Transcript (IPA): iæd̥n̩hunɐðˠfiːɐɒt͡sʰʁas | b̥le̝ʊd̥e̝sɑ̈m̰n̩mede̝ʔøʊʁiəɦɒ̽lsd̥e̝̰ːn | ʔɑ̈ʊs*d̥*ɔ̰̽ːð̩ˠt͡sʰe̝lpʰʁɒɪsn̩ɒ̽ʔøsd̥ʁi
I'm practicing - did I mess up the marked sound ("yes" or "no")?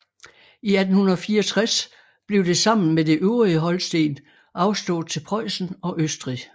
no